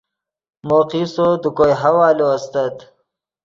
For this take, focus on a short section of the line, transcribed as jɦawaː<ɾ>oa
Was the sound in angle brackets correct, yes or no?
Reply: no